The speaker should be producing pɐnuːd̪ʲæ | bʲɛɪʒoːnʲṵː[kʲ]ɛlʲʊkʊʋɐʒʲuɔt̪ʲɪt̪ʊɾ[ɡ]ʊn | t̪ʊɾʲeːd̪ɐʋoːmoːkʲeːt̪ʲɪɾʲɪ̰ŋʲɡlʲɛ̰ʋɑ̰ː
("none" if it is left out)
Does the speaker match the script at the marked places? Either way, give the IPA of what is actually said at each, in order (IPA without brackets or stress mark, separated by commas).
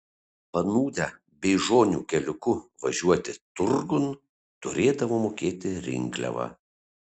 kʲ, ɡ